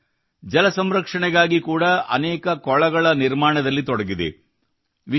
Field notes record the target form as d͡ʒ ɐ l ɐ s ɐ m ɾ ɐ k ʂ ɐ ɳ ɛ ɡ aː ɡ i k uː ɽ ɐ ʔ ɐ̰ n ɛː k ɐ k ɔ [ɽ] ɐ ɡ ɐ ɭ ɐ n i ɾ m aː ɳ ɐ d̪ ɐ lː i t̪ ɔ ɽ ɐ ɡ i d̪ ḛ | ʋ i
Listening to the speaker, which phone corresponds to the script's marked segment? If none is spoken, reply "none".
ɭ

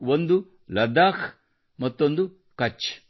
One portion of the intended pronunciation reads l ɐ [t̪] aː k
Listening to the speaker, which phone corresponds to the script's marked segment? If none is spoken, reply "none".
d̪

